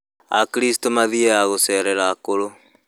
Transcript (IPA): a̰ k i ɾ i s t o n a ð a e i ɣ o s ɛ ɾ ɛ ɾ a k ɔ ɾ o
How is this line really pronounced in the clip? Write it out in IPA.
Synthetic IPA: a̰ k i ɾ i s t o m a ð i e a ɣ o s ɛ ɾ ɛ ɾ a k o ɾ o